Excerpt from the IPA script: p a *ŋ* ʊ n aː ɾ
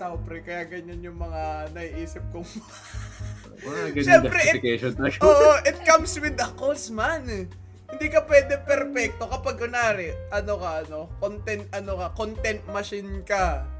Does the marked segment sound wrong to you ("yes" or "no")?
yes